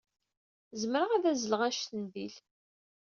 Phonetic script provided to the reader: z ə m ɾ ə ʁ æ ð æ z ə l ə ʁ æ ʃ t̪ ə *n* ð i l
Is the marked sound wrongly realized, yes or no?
no